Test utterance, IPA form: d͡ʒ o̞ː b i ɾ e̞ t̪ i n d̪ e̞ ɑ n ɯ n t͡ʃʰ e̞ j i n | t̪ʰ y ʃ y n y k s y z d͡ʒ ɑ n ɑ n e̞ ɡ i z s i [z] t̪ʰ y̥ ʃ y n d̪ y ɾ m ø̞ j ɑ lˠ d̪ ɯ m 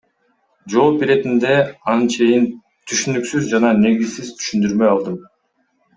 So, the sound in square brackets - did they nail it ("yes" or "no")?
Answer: yes